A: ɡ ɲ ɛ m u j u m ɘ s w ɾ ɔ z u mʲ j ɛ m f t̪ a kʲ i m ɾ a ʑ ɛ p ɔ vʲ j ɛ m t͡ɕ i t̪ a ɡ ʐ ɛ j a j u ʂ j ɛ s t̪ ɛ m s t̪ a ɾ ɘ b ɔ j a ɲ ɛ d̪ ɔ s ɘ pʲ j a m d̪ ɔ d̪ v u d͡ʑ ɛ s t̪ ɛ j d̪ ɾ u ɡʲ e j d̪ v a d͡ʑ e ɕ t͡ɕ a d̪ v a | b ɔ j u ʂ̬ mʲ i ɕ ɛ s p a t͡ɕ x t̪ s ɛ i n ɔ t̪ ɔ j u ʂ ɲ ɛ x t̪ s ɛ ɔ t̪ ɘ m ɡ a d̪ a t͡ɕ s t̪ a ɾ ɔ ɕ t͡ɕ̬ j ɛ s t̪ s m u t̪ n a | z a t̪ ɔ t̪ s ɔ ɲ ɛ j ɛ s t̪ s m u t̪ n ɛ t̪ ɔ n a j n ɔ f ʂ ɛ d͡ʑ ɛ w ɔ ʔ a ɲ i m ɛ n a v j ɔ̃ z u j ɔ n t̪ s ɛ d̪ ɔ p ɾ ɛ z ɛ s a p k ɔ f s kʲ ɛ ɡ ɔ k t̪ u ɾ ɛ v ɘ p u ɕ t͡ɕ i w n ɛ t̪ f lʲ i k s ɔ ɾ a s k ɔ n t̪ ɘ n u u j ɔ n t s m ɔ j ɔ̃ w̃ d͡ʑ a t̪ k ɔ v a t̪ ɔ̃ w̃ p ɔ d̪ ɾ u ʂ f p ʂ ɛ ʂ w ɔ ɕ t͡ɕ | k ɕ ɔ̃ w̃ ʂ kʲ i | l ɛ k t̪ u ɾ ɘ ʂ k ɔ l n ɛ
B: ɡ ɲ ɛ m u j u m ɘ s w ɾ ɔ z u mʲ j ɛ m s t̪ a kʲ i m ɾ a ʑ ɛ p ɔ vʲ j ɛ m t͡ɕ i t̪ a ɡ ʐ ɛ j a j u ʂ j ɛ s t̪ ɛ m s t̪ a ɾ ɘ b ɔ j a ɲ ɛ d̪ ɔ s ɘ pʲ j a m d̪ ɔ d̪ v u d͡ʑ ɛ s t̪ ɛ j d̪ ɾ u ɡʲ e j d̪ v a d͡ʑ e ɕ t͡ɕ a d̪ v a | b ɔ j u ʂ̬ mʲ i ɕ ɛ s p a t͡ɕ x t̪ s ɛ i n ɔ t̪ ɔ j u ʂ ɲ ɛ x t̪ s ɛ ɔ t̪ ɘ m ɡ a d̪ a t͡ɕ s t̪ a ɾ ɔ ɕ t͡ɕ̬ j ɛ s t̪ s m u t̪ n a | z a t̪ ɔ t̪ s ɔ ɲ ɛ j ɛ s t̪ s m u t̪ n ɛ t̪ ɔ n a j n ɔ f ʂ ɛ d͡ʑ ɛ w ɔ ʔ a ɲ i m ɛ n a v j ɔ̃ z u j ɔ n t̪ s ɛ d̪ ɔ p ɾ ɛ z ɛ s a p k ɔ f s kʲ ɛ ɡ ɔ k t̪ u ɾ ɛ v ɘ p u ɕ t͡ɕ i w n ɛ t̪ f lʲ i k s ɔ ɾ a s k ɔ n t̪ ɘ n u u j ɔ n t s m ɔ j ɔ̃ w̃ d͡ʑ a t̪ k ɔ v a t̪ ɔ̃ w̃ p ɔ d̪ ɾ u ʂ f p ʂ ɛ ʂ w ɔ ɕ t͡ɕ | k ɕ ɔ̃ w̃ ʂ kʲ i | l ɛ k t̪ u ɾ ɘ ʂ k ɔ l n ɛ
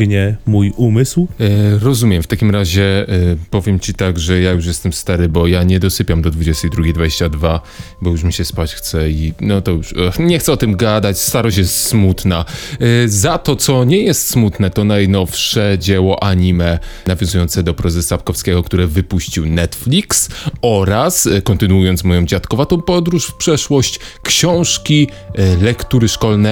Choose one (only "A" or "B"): A